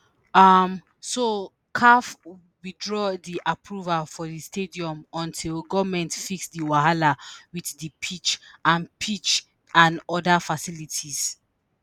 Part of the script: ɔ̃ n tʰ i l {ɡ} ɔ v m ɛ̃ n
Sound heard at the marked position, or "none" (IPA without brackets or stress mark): ɡ